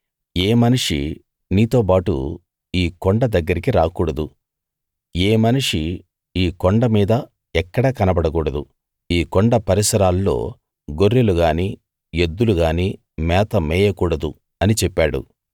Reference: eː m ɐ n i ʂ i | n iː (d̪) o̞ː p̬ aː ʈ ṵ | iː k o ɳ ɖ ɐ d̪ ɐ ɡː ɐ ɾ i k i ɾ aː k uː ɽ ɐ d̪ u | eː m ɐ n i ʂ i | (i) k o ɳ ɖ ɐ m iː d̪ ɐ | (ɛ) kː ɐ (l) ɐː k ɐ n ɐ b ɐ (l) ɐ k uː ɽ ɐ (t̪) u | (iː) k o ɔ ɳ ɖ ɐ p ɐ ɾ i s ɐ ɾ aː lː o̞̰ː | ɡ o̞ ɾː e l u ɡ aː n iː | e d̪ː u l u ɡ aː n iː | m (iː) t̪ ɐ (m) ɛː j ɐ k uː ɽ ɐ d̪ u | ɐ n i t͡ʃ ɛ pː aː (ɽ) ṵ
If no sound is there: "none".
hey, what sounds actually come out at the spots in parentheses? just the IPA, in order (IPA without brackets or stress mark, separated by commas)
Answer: t̪, iː, ɛ, ɽ, ɽ, d̪, iː, ɛː, m, ɽ